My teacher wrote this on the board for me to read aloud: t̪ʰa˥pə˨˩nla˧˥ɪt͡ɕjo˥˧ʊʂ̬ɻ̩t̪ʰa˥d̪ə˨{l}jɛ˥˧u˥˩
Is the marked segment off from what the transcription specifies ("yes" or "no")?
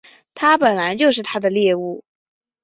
no